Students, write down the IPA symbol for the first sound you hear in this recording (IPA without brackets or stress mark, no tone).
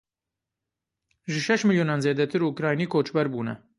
ʒ